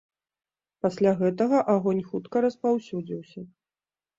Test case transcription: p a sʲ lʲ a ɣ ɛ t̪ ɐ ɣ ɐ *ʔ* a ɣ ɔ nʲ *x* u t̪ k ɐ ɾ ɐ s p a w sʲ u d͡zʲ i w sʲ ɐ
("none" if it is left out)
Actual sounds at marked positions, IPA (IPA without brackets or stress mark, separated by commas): ʔ, x